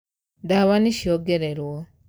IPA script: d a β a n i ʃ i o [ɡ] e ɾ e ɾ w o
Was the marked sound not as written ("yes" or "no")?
no